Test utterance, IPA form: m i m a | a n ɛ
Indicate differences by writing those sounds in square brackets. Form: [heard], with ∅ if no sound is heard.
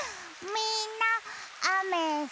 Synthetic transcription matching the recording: m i [n] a | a [m] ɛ